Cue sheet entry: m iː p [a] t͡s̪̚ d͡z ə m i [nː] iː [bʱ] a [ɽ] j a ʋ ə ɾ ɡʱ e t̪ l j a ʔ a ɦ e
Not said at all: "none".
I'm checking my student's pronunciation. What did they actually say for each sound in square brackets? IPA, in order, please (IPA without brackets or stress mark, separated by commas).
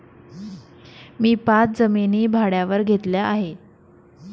a, n, bʱ, ɽ